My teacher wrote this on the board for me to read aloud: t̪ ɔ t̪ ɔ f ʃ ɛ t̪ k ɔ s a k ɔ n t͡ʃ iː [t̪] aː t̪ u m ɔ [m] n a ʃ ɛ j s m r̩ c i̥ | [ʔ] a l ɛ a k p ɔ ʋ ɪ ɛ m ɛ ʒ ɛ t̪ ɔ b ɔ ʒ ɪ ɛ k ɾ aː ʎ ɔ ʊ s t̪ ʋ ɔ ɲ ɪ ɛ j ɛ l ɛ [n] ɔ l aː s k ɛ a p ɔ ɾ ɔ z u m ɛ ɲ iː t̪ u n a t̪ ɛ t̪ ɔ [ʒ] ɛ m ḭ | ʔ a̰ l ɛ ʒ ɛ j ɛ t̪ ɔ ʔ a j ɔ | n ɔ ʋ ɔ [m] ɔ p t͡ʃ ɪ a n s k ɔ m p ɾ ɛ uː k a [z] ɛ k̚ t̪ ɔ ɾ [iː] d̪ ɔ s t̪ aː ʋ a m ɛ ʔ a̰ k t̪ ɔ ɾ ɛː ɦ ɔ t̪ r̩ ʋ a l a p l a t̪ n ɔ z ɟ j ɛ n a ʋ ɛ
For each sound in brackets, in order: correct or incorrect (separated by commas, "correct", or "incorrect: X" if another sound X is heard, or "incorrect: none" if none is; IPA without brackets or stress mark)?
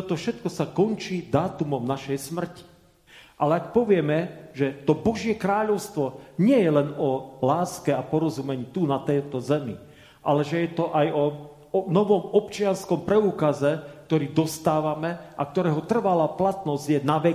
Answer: incorrect: d̪, correct, correct, correct, incorrect: z, correct, correct, correct